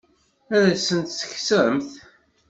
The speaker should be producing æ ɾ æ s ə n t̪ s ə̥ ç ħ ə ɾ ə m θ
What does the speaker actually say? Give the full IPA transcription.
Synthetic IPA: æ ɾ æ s ə n t̪ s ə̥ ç s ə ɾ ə m θ